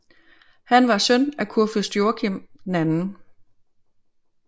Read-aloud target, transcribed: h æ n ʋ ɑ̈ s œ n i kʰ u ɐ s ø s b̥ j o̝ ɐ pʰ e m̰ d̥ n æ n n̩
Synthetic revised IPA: h æ n ʋ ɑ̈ s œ n æ kʰ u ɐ f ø s d̥ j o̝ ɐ kʰ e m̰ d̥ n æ n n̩